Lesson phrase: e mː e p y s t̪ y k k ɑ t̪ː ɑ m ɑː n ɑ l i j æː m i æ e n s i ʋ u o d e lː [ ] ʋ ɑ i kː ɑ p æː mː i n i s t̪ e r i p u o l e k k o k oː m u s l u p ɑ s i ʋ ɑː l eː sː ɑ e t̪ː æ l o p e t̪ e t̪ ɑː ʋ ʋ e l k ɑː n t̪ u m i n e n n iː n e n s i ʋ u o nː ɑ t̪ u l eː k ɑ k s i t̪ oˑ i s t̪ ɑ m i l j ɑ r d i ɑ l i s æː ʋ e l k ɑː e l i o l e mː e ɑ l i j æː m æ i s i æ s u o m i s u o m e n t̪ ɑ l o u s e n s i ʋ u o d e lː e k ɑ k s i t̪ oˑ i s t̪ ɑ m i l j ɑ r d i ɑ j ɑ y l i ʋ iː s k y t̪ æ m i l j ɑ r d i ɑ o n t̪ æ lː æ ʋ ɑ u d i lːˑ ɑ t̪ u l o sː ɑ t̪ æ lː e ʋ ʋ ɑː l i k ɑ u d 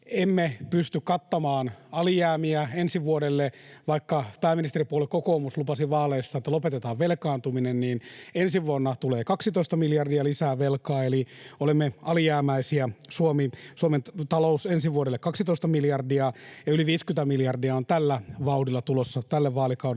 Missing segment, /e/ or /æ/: e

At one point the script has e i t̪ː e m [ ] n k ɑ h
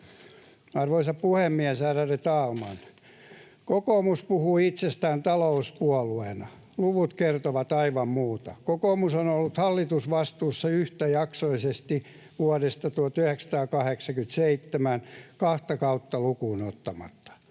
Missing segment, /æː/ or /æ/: æ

